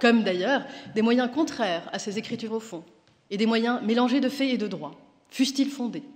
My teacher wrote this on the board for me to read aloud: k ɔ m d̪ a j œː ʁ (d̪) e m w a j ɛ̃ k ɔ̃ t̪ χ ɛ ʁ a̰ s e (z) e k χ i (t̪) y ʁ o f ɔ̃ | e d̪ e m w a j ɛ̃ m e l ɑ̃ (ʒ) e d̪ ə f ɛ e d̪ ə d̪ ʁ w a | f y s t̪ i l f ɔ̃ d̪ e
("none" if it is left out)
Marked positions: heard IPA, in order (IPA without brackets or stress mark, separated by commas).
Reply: d̪, z, t̪, ʒ